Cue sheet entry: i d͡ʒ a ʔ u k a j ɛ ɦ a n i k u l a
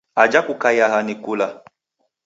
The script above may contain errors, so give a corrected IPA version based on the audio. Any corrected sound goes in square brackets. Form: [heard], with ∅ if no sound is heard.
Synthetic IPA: [a] d͡ʒ a [k] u k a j [a] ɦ a n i k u l a